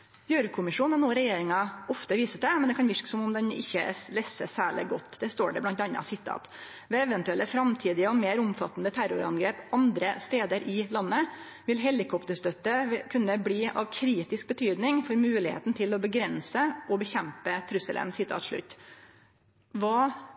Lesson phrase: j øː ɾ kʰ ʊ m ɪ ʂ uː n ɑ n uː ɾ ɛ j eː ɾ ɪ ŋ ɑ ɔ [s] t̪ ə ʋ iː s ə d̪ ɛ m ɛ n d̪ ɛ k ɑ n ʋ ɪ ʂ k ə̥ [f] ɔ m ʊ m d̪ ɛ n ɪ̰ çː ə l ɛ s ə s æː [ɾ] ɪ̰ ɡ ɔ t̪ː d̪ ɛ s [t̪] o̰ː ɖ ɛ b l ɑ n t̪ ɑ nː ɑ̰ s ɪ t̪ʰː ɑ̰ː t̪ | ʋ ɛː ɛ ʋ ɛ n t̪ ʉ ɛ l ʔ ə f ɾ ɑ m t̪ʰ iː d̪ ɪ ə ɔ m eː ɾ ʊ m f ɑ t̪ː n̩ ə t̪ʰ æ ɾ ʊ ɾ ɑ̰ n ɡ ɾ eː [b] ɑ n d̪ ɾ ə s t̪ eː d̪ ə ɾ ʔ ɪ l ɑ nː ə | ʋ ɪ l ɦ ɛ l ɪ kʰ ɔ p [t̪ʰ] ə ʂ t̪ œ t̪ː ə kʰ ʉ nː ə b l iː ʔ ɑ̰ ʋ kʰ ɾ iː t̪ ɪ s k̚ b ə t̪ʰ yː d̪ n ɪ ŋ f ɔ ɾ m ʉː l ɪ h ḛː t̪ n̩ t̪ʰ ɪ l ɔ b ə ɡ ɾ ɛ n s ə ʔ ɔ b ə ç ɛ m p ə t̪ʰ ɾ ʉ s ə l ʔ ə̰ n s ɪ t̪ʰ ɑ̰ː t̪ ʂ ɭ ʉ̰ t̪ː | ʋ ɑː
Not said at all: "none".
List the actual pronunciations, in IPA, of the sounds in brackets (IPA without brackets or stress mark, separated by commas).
f, s, ɭ, t̪, p, t̪